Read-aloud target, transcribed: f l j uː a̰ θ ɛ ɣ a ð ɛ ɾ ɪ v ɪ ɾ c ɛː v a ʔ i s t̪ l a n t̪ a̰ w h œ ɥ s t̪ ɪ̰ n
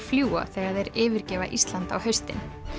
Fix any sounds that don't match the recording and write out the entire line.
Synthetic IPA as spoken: f l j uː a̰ θ ɛ ɣ a ð ɛ ɾ ɪː v ɪ ɾ c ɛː v a ʔ i s t̪ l a n t̪ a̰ w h œ ɥ s t̪ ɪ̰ n

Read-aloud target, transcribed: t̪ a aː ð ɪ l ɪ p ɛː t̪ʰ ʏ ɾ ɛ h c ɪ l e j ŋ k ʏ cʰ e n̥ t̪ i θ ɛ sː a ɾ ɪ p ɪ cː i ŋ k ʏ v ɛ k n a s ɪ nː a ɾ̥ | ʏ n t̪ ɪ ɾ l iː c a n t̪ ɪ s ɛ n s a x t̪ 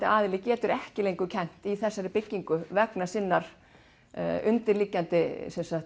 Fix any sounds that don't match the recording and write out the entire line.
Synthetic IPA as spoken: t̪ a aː ð ɪ l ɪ c ɛː t̪ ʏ ɾ ɛ h c ɪ l e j ŋ k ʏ cʰ ɛ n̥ t̪ i θ ɛ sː a ɾ ɪ p ɪ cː i ŋ k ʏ v ɛ k n a s ɪ nː a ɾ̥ | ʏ n t̪ ɪ ɾ l iː c a n t̪ ɪ s ɛ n s a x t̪

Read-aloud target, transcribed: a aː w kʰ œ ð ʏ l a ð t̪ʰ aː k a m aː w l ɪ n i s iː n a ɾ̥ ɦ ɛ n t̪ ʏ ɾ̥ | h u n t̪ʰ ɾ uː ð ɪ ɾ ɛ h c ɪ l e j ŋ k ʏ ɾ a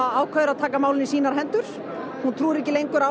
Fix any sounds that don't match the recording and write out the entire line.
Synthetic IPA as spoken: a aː w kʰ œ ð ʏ ɾ a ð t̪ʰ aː k a m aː w l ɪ n i s iː n a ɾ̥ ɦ ɛ n t̪ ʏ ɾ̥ | h u n t̪ʰ ɾ uː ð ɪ ɾ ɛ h c ɪ l e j ŋ k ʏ ɾ a

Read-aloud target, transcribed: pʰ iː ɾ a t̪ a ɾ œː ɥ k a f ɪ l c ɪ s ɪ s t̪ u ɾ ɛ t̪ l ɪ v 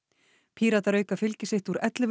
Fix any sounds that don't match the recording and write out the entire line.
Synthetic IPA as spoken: pʰ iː ɾ a t̪ a ɾ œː ɥ k a f ɪ l c ɪ s ɪ h t̪ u ɾ ɛ t̪ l ɪ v

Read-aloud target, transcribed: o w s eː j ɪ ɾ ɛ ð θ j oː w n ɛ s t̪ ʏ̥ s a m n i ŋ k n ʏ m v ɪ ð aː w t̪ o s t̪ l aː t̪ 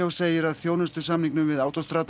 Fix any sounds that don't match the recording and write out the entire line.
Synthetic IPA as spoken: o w s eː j ɪ ɾ a ð θ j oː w n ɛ s t̪ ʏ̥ s a m n i ŋ k n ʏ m v ɪ ð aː w t̪ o s t̪ ɾ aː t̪

